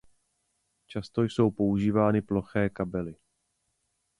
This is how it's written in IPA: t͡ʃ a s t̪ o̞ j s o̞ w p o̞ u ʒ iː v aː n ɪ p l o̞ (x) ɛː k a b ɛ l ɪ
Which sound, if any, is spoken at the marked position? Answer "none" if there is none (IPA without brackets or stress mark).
x